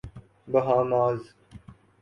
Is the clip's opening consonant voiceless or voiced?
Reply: voiced